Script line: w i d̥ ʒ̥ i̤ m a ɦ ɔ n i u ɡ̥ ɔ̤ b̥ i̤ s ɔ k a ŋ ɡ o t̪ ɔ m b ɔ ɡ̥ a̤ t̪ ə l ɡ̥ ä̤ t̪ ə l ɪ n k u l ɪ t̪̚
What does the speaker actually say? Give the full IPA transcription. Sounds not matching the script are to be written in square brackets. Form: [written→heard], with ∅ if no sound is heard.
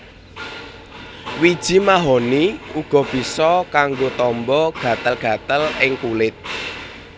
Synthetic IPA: w i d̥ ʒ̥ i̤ m a ɦ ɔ n i u ɡ̥ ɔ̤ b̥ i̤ s ɔ k a ŋ ɡ o t̪ ɔ m b ɔ ɡ̥ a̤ t̪ ə l ɡ̥ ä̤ t̪ ə l ɪ [n→ŋ] k u l ɪ t̪̚